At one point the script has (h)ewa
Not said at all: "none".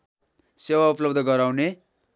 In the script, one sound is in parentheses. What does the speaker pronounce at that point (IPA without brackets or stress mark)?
s